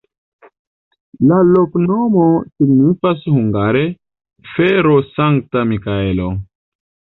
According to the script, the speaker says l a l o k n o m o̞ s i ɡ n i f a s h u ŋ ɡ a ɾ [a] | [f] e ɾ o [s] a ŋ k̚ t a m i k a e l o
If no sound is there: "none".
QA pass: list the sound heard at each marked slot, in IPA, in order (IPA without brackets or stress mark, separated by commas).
e, f, s